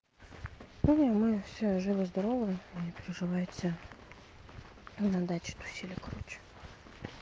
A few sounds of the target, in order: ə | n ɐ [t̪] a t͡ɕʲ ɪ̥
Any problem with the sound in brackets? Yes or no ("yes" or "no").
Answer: yes